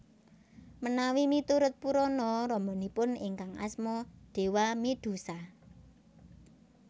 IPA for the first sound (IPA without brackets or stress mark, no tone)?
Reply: m